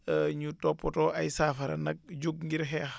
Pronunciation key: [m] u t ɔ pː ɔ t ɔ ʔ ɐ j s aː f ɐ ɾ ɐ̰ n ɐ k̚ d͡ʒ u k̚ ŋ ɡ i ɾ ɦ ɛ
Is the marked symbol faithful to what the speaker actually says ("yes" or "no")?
no